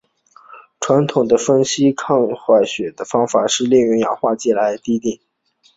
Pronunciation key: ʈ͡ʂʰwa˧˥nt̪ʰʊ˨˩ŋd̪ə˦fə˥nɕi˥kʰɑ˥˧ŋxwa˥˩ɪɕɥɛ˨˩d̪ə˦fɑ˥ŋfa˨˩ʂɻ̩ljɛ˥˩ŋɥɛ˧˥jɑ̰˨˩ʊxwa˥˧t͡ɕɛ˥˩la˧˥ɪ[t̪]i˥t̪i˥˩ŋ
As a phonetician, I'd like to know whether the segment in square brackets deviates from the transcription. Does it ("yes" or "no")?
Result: no